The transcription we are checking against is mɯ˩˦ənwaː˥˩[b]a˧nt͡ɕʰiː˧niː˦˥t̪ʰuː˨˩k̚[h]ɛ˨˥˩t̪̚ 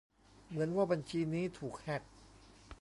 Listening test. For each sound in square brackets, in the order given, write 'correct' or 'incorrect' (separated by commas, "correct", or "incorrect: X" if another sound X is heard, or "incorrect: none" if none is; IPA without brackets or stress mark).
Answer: correct, correct